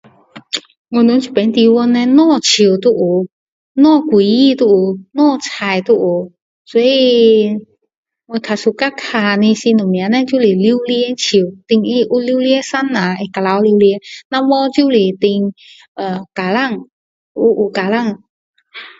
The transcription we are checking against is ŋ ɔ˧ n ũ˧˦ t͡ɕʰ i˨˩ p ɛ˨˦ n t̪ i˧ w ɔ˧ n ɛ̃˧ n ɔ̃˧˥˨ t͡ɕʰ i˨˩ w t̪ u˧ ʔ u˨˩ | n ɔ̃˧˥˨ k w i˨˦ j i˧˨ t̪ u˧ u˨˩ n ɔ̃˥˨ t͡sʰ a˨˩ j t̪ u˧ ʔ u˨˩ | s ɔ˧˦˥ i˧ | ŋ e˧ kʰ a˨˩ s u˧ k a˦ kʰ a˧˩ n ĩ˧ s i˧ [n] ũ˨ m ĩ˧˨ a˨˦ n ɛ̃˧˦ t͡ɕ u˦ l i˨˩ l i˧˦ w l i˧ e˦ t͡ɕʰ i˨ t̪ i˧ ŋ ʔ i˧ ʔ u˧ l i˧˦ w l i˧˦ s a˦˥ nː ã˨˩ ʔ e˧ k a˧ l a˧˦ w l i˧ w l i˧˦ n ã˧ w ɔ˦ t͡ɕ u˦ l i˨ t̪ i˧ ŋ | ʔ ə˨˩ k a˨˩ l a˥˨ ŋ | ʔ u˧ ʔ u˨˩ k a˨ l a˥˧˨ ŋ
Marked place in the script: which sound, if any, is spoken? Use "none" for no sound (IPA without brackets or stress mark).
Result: n